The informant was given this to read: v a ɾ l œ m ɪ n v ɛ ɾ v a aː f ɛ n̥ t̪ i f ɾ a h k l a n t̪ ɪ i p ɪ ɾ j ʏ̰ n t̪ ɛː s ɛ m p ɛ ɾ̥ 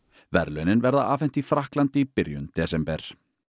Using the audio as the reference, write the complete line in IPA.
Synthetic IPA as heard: v ɛ ɾ l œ n ɪ n v ɛ ɾ ð a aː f ɛ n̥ t̪ i f ɾ a h k l a n t̪ ɪ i p ɪ ɾ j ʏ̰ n t̪ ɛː s ɛ m p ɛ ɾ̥